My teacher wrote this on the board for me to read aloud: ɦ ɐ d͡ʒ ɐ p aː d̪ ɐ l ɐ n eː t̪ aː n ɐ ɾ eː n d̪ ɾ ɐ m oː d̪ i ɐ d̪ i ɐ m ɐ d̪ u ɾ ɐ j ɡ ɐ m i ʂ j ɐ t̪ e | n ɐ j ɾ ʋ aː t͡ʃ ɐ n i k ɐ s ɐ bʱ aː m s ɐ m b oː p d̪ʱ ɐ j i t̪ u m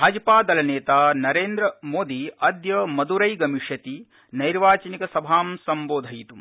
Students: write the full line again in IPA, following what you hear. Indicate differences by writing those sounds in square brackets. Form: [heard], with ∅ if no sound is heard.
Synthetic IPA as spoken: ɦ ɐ d͡ʒ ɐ p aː d̪ ɐ l ɐ n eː t̪ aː n ɐ ɾ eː n d̪ ɾ ɐ m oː d̪ i ɐ d̪ [j] ɐ m ɐ d̪ u ɾ ɐ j ɡ ɐ m i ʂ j ɐ t̪ [i] | n ɐ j ɾ ʋ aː t͡ʃ ɐ n i k ɐ s ɐ bʱ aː m s ɐ m b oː [∅] d̪ʱ ɐ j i t̪ u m